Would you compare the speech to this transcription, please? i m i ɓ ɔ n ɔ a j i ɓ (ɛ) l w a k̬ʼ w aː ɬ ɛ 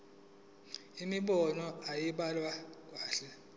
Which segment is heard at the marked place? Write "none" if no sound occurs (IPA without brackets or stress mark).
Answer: a